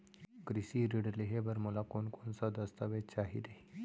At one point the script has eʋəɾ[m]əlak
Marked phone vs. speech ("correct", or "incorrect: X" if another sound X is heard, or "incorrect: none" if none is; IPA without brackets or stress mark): correct